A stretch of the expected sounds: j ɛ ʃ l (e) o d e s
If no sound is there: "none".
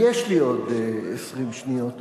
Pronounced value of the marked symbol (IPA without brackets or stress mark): i